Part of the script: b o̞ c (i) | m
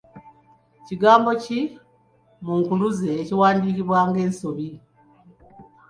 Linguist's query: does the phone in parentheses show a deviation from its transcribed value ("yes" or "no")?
no